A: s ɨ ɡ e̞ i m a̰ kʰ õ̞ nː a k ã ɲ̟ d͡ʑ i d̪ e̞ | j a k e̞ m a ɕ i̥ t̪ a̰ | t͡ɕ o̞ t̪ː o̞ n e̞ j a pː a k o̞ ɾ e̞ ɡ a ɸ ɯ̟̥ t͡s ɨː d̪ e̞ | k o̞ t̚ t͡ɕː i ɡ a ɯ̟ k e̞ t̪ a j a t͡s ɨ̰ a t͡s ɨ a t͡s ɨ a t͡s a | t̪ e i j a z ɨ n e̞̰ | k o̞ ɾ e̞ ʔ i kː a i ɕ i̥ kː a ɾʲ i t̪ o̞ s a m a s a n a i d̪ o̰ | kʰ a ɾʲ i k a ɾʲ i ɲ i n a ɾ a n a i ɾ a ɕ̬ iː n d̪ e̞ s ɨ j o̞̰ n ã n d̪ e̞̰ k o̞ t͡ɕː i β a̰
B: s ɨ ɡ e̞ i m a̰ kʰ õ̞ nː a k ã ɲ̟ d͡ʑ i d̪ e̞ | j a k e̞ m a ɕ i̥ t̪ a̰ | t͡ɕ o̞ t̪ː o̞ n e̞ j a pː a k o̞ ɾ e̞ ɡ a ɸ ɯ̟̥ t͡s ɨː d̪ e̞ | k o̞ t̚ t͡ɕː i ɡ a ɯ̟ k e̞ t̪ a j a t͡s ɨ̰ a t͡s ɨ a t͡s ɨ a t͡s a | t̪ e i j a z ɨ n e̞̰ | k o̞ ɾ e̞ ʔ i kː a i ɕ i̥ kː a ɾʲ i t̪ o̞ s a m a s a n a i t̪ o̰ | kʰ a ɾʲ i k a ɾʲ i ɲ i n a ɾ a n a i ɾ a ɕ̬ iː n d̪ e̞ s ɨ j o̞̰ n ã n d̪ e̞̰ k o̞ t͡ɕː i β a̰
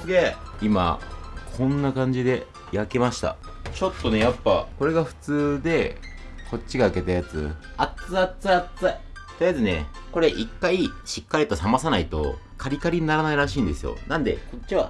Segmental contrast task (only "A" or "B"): B